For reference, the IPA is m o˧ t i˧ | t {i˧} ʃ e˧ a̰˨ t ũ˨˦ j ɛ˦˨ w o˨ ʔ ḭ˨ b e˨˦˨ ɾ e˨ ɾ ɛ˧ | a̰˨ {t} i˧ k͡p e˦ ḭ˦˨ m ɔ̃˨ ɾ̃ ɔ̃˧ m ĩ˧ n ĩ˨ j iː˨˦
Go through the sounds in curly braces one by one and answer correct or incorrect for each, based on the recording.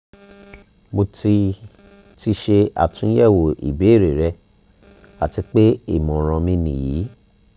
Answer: correct, correct

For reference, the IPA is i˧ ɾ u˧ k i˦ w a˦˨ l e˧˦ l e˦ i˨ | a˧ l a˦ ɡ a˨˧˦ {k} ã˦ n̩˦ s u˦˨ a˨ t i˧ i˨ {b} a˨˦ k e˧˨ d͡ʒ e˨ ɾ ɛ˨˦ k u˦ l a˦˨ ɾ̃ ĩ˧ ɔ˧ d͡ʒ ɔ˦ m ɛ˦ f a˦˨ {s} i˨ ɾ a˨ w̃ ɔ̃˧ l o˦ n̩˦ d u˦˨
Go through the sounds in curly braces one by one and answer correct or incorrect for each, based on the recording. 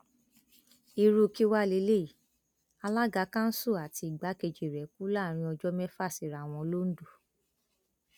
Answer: correct, incorrect: ɡ͡b, correct

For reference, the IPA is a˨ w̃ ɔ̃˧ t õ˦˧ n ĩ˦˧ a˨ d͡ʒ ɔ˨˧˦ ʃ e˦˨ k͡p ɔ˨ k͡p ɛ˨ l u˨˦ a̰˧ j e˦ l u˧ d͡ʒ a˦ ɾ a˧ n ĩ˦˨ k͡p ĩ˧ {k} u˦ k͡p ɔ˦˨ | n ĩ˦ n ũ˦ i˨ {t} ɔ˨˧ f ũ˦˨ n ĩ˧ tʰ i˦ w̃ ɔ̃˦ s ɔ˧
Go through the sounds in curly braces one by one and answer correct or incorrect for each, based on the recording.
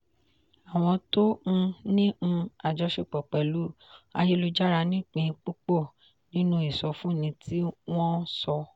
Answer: incorrect: k͡p, incorrect: s

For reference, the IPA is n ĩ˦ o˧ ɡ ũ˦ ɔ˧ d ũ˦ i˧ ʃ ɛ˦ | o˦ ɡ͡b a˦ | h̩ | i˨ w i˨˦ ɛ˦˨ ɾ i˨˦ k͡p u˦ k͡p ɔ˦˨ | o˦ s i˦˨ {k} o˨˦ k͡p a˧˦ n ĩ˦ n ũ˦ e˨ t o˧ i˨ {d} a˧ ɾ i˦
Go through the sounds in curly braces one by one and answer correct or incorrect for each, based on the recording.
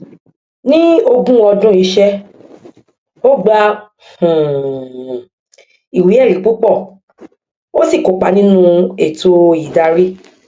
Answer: correct, correct

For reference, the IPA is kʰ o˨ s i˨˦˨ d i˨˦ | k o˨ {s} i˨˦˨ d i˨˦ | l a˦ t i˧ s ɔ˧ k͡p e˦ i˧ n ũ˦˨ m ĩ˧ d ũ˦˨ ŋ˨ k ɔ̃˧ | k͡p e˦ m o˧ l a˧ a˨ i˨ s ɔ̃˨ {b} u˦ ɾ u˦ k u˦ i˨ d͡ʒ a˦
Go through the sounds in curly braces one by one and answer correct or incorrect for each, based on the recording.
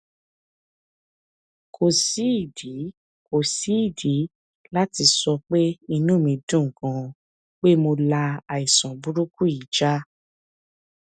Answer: correct, correct

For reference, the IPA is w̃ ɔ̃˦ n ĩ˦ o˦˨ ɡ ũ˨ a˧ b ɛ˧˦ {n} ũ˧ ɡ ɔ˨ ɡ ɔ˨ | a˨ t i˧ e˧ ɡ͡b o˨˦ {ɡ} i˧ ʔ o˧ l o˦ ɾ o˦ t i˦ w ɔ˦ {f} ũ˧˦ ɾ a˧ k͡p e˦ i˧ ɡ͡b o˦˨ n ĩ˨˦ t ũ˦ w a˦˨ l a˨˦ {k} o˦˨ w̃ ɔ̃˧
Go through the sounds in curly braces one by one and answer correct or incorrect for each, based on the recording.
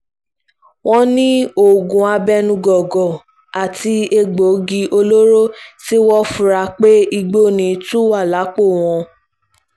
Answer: correct, correct, correct, incorrect: k͡p

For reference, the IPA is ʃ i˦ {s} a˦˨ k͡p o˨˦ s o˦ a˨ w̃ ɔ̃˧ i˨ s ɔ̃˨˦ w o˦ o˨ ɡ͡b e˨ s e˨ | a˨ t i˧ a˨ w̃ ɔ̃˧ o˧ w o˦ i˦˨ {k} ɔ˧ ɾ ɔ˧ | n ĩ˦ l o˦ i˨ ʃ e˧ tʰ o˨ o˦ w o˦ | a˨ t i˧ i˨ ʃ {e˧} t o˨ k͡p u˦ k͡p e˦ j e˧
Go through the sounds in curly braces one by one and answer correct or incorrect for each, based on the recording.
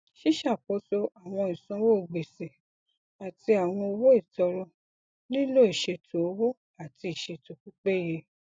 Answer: incorrect: ʃ, incorrect: t, correct

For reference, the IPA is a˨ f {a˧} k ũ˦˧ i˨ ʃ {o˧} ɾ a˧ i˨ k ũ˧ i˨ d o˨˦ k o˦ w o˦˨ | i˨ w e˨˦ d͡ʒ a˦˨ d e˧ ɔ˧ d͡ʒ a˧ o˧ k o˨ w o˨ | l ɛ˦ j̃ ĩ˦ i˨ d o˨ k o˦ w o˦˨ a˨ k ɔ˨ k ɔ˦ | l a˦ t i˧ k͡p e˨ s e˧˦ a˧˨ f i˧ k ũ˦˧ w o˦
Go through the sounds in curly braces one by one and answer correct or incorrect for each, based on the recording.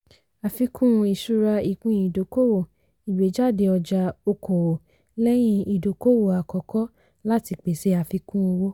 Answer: incorrect: i˧, incorrect: u˧

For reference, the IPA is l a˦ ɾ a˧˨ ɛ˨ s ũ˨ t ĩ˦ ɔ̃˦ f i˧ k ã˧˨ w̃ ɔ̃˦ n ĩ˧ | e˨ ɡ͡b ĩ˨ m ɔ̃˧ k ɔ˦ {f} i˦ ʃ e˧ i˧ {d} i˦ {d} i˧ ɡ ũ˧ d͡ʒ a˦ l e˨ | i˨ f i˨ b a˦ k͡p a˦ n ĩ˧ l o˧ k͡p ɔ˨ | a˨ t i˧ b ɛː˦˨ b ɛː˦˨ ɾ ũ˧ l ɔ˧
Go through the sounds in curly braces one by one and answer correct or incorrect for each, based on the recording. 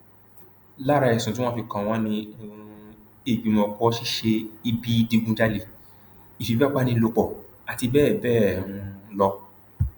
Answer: incorrect: ʃ, incorrect: b, correct

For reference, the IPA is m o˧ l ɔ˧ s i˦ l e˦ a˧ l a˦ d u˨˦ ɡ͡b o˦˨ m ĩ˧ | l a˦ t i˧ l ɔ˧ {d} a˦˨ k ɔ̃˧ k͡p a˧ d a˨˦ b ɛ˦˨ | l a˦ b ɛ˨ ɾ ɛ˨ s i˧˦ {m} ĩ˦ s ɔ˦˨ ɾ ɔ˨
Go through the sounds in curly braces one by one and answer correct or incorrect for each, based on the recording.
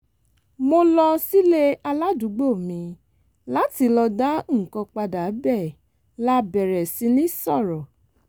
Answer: correct, incorrect: n

